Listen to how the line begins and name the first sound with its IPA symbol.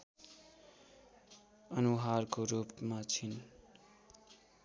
ʌ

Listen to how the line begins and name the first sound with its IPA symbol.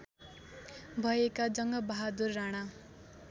bʱ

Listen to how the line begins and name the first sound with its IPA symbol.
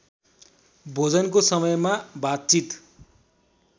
bʱ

